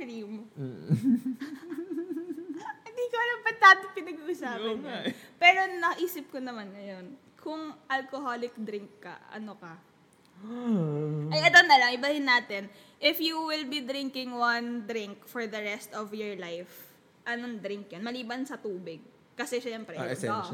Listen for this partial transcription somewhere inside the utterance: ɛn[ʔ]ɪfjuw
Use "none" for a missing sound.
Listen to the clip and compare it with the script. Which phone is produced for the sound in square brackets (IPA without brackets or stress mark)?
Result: ʔ